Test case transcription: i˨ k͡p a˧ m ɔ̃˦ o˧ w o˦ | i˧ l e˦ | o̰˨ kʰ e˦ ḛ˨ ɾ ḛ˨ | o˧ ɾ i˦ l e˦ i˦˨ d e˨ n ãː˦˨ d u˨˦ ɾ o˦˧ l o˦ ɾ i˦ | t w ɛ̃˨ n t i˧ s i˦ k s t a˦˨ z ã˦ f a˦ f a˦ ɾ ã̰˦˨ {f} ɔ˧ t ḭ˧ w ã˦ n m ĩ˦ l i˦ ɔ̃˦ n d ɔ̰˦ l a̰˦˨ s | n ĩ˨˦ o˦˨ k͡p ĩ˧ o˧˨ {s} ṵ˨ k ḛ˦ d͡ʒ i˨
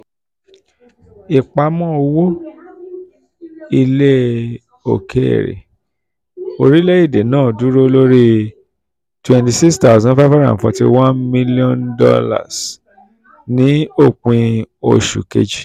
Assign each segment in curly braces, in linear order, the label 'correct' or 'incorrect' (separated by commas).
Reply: correct, incorrect